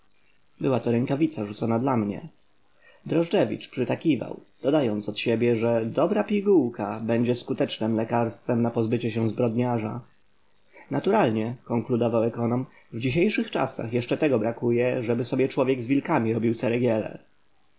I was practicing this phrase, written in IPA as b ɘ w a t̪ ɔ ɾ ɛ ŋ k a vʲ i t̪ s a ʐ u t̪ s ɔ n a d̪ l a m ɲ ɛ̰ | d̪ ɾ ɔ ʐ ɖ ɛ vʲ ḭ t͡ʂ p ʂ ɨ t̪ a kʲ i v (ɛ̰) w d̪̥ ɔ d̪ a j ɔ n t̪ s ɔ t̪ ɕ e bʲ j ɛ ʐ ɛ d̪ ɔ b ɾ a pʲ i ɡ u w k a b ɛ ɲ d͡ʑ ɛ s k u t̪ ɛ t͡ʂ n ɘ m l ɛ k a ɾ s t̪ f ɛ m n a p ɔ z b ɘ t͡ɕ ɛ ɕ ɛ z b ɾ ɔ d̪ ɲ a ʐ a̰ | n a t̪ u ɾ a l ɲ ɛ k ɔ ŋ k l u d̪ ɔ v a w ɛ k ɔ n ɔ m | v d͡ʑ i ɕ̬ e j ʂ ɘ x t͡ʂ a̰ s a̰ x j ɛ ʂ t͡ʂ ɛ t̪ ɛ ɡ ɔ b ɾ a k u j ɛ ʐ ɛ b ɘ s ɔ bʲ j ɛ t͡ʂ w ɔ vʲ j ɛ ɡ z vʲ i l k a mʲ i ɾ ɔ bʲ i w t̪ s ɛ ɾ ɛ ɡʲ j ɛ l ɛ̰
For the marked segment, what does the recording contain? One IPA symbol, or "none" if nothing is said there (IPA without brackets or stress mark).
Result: a̰